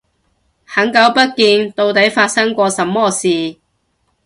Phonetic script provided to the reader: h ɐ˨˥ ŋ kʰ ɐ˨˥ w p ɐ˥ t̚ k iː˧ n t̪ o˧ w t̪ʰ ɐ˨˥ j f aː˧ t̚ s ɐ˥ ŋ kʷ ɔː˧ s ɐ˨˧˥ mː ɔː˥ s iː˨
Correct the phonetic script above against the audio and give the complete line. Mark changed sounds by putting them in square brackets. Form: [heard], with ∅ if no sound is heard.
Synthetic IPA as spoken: h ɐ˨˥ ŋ [k] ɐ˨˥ w p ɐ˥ t̚ k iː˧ n t̪ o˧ w [t̪] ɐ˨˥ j f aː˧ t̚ s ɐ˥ ŋ kʷ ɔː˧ s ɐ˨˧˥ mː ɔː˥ s iː˨